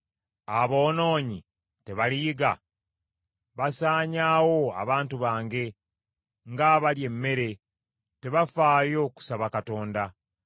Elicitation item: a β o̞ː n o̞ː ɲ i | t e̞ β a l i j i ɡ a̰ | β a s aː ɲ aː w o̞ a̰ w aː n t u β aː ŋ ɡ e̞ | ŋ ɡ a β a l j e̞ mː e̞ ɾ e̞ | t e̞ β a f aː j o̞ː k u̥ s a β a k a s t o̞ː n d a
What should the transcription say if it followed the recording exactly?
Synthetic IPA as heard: a β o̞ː n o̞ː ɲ i | t e̞ β a l i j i ɡ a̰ | β a s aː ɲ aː w o̞ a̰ β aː n t u β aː ŋ ɡ e̞ | ŋ ɡ a β a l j e̞ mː e̞ ɾ e̞ | t e̞ β a f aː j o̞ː k u̥ s a β a k a t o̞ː n d a